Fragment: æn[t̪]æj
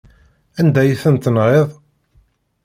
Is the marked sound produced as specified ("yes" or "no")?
no